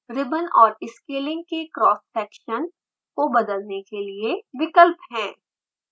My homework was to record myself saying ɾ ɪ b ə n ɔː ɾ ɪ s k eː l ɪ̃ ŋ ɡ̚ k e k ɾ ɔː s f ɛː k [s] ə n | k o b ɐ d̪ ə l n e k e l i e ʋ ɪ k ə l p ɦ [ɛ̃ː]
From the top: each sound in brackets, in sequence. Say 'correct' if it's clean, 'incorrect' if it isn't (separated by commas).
incorrect, correct